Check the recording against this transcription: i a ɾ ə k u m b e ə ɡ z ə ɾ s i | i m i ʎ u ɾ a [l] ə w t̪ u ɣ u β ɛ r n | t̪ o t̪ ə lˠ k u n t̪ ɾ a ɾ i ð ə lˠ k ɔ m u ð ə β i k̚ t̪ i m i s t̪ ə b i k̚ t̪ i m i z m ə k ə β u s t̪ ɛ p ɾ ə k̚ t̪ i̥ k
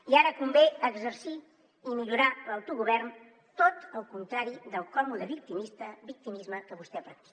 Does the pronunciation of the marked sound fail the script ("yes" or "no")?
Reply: no